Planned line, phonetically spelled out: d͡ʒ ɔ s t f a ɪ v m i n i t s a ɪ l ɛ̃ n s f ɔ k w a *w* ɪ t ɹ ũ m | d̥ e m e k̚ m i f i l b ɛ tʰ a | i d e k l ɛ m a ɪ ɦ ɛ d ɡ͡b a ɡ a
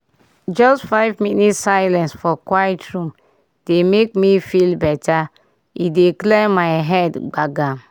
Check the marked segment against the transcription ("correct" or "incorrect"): incorrect